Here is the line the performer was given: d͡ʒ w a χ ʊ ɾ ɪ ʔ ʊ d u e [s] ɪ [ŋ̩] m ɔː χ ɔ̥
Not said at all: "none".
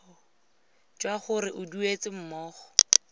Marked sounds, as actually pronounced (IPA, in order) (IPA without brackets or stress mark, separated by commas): t͡s, m̩